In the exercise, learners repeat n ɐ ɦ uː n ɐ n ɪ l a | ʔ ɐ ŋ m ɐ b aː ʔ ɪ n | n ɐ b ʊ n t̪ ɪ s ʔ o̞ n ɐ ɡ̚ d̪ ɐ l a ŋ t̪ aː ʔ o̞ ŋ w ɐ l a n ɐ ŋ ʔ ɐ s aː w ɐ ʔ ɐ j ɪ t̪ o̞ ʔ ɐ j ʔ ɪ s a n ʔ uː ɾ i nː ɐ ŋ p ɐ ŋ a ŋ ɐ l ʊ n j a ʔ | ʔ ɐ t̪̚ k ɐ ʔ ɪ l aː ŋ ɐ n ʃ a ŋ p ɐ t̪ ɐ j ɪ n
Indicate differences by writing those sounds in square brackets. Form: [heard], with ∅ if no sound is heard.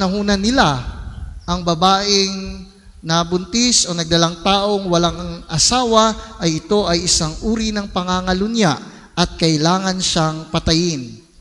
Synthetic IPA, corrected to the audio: n ɐ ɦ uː n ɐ n ɪ l a | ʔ ɐ ŋ [b] ɐ b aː ʔ ɪ [ŋ] | n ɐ b ʊ n t̪ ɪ s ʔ o̞ n ɐ ɡ̚ d̪ ɐ l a ŋ t̪ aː ʔ o̞ ŋ w ɐ l a [ŋ] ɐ ŋ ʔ ɐ s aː w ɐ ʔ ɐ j ɪ t̪ o̞ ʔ ɐ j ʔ ɪ s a [ŋ] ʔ uː ɾ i [n] ɐ ŋ p ɐ ŋ a ŋ ɐ l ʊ n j a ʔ | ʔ ɐ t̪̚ k ɐ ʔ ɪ l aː ŋ ɐ n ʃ a ŋ p ɐ t̪ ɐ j ɪ n